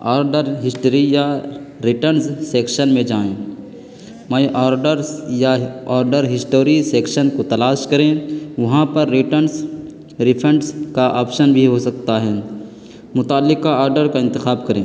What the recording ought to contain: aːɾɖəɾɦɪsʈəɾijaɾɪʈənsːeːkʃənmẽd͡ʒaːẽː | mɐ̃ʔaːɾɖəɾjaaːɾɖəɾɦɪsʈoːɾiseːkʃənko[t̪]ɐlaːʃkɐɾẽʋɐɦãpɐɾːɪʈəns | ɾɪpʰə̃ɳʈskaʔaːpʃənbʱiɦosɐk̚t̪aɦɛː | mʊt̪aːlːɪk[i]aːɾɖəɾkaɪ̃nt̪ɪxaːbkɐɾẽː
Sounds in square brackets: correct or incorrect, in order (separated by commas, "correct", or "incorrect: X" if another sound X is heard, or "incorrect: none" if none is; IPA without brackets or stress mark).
correct, incorrect: a